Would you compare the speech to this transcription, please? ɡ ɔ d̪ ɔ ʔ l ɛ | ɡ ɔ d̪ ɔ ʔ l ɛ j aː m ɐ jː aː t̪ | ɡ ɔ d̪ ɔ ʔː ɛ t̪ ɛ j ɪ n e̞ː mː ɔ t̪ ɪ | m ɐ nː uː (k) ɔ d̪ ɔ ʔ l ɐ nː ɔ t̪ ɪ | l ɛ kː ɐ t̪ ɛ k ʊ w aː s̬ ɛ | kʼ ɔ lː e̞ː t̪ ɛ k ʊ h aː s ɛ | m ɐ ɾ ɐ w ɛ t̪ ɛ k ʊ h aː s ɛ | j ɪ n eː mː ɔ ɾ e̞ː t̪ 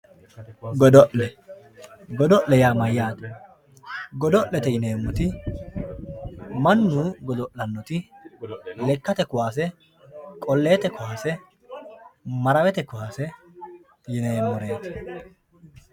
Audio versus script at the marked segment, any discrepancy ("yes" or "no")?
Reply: yes